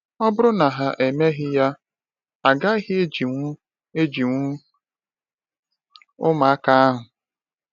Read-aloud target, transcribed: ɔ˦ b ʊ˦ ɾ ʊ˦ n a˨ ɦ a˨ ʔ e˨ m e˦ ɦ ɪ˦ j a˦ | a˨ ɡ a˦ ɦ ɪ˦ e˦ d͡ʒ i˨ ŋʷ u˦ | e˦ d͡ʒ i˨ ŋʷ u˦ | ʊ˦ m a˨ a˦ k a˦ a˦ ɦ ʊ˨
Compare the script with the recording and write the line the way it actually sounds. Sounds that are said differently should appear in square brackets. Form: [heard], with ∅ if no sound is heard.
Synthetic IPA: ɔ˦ b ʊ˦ ɾ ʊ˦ n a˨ ɦ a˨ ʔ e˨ m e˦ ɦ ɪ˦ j a˦ | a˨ ɡ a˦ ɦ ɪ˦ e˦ d͡ʒ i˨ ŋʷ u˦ | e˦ d͡ʒ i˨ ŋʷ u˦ | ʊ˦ m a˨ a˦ k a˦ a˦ ɦ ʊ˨